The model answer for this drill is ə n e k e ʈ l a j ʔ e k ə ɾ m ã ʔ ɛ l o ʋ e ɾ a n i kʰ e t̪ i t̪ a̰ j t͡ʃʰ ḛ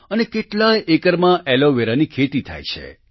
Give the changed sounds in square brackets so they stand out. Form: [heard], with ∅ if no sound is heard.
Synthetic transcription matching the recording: ə n e k e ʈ l a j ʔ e k ə ɾ m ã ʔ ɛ l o ʋ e ɾ a n i kʰ e t̪ i [t̪ʰ] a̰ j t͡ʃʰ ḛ